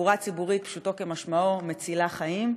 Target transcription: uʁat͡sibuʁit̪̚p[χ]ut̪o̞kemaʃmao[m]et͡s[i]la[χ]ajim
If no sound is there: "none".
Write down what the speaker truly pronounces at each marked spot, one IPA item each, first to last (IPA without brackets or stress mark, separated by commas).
ʃ, m, i, χ